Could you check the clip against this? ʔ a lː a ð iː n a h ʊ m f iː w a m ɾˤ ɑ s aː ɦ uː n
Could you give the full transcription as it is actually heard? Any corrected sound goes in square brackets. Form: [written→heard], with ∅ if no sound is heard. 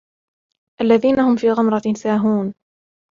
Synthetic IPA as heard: ʔ a lː a ð iː n a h ʊ m f iː [w→ɣ] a m ɾˤ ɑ s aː ɦ uː n